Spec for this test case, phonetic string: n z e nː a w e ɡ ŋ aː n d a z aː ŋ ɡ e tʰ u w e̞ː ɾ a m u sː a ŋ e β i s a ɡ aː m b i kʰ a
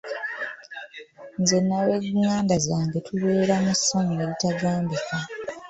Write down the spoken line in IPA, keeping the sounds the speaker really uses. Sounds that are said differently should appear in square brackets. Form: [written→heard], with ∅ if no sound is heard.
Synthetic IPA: n z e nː a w e ɡ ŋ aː n d a z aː ŋ ɡ e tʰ u [w→β] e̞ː ɾ a m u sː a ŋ e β i [s→t] a ɡ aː m b i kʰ a